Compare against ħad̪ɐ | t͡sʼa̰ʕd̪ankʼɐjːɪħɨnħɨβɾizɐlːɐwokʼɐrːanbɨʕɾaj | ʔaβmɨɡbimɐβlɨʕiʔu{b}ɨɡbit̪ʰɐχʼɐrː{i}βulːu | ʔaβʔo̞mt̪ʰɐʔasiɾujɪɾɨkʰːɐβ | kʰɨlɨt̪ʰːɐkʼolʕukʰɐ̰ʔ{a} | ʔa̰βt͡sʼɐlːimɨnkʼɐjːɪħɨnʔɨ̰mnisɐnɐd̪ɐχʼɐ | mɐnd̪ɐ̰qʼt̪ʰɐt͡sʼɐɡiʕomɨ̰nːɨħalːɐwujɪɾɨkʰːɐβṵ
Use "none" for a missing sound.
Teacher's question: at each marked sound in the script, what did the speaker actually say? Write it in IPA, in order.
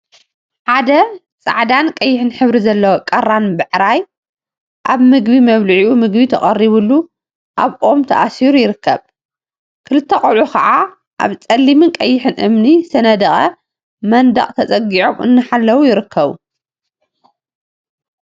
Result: m, i, a

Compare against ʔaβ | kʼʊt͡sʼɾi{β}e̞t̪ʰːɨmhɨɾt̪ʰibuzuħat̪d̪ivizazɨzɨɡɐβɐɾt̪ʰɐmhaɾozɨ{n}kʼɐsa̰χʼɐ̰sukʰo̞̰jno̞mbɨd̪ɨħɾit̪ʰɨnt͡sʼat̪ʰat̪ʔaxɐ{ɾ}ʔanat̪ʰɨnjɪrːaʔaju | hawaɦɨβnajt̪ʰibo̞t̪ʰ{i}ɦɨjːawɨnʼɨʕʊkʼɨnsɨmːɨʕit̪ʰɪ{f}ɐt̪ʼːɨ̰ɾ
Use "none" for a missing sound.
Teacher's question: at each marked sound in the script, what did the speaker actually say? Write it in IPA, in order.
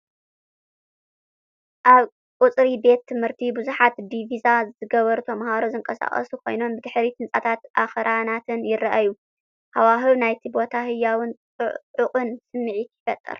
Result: b, ŋ, ɾ, a, f

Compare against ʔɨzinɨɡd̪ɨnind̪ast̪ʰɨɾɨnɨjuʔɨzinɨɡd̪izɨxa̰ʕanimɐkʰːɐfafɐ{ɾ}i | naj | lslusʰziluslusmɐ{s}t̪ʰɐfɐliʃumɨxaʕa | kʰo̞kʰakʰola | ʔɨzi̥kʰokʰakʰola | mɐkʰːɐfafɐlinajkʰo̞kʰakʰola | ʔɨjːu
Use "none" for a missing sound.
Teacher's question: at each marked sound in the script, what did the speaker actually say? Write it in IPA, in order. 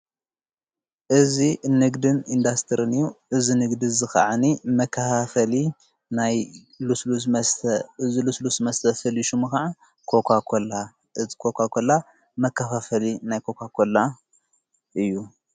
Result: l, s

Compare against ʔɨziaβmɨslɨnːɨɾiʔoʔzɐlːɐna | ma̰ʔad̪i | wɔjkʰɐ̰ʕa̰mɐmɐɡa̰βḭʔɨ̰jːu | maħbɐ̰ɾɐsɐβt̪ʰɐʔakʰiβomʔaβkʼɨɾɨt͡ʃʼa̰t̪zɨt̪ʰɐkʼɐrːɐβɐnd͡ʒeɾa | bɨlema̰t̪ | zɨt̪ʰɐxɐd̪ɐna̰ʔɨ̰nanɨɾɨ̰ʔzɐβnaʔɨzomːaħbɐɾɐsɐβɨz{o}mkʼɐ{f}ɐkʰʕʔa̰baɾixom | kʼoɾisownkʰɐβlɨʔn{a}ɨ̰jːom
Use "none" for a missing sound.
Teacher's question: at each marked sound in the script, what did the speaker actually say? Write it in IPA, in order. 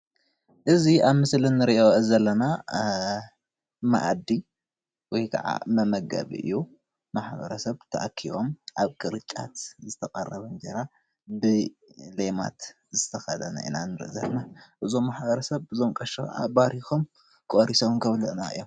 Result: o, ʃ, a

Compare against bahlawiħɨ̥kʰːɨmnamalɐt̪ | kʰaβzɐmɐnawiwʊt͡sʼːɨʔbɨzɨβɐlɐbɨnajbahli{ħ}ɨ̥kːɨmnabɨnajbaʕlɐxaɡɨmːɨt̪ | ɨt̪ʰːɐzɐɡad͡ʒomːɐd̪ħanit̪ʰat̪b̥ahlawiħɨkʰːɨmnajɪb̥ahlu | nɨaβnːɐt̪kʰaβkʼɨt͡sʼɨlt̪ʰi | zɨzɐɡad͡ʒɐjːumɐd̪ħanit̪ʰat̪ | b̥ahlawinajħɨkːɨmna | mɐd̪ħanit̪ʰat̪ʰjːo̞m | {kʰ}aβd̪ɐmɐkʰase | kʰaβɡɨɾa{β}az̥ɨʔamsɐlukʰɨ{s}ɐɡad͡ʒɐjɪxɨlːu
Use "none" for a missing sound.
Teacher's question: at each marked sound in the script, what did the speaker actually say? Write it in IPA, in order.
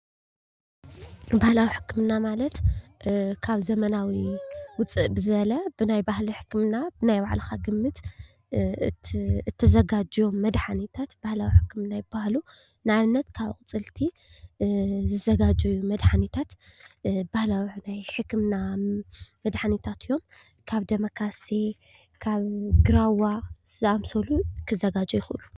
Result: ħ, kʰ, w, z

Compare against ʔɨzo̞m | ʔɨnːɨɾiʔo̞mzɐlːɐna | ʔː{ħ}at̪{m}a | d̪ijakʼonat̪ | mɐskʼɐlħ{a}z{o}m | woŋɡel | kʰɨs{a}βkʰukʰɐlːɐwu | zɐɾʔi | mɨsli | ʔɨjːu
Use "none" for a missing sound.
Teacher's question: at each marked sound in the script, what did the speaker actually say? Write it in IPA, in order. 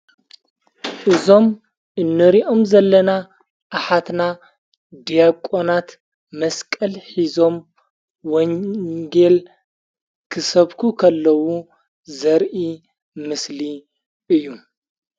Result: ħ, n, i, o, ɐ

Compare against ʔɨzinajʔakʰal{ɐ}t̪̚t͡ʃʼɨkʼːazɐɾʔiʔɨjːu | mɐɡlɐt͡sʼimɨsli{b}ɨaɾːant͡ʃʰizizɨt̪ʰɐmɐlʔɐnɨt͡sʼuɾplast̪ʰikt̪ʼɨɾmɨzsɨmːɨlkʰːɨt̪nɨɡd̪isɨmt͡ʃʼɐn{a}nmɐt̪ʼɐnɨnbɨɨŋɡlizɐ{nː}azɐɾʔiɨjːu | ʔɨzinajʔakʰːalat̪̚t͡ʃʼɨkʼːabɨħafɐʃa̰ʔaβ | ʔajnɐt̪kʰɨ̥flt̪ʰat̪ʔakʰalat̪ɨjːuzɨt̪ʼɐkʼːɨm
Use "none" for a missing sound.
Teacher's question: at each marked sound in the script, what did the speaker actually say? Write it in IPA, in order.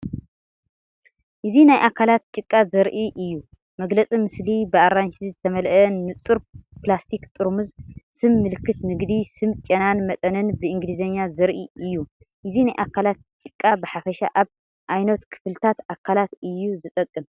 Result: a, b, a, ɲː

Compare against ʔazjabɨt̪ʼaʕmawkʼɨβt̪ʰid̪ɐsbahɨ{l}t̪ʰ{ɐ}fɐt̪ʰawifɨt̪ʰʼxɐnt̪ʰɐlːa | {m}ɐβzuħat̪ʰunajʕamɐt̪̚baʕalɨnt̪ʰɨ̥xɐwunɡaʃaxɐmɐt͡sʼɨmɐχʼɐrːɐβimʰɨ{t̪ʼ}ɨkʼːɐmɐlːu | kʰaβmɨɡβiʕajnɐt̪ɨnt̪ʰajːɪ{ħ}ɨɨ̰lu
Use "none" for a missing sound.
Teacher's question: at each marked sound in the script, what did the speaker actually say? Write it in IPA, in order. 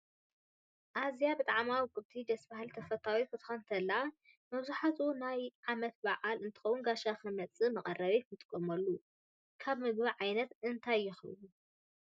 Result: l, ɐ, m, t̪ʼ, x

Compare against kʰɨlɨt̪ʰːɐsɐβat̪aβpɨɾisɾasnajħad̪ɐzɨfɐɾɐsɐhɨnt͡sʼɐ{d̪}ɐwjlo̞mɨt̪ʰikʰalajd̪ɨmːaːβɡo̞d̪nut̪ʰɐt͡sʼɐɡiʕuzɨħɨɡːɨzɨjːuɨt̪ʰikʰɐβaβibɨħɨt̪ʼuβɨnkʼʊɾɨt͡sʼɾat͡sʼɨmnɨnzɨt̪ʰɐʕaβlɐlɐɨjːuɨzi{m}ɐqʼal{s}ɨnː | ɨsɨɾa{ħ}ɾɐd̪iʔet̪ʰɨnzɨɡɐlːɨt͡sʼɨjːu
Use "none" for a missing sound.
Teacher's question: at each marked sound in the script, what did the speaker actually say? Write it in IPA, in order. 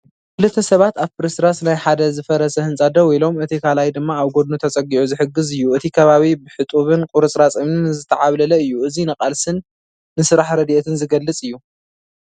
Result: d̪, n, s, ħ

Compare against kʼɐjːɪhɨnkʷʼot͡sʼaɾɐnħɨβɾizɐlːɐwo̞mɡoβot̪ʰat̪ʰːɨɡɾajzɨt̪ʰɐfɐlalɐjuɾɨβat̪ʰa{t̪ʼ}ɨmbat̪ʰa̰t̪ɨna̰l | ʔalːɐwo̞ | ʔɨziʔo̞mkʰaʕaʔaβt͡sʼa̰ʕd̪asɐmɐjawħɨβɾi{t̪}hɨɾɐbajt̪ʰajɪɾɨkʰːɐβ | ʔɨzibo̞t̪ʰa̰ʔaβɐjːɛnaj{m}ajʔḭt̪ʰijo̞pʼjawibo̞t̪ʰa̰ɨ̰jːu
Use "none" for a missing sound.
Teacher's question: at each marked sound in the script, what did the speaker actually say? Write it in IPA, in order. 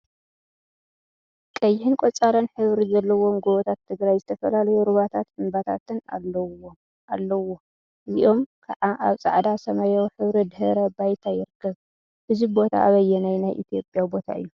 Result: t̪, d̪, n

